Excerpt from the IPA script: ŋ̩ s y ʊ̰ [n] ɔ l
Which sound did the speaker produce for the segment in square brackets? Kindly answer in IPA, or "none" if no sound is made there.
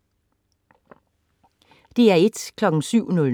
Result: n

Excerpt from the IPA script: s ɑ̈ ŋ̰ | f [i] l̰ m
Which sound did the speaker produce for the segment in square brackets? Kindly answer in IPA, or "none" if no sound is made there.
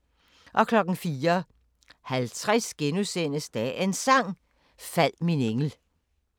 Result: æ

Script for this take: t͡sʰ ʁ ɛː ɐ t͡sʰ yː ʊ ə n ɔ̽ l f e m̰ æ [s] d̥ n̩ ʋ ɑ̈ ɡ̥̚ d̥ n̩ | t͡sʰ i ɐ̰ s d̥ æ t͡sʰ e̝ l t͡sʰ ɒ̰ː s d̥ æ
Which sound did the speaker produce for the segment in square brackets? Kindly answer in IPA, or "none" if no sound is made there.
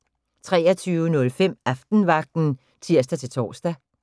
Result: f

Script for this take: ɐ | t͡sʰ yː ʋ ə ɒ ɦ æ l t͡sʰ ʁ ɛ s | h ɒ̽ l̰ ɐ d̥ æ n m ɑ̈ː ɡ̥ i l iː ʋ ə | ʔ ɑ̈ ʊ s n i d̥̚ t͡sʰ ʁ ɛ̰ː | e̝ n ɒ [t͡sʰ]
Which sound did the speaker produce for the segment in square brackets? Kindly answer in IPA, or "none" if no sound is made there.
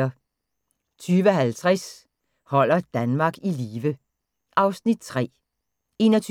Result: t͡sʰ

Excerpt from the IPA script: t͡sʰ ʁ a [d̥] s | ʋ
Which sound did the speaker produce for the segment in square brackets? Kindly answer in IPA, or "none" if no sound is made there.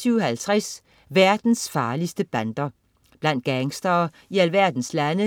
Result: none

